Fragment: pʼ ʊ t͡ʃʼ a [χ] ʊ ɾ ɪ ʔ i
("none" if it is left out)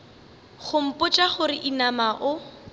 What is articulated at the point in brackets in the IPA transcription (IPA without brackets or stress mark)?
χ